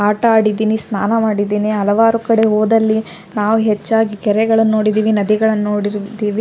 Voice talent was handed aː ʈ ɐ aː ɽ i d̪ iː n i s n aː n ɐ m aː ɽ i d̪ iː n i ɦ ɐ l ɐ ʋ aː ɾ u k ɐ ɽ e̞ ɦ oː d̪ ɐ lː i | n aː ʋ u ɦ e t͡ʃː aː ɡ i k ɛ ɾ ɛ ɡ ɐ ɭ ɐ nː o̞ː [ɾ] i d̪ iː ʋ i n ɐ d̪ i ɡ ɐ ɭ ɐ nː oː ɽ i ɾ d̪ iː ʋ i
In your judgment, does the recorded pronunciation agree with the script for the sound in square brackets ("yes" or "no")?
no